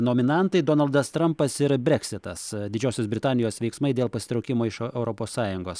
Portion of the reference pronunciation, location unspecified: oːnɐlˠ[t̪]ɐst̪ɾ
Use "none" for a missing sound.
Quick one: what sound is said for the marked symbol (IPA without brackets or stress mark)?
d̪